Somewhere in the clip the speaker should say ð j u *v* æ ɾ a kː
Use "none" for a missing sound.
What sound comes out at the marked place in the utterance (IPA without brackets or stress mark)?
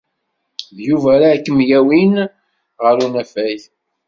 v